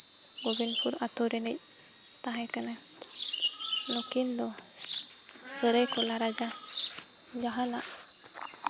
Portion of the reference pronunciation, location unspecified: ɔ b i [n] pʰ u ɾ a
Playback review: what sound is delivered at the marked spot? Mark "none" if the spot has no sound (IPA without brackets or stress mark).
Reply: n